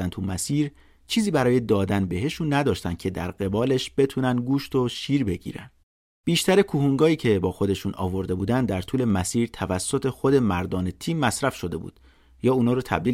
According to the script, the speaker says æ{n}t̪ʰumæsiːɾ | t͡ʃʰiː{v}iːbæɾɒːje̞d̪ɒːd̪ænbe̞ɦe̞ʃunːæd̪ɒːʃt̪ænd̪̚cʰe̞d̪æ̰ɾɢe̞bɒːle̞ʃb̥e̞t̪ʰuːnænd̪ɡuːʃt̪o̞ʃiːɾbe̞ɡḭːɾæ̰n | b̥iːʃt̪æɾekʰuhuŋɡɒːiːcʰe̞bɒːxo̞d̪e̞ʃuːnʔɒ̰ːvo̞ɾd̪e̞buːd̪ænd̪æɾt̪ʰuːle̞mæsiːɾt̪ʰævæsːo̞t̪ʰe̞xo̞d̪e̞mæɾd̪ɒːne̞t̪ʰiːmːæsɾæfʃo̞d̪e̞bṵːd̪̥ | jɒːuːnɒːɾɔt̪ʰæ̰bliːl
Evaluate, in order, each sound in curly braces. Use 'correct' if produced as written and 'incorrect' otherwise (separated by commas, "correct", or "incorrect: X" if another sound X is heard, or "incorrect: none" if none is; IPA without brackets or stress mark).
correct, incorrect: z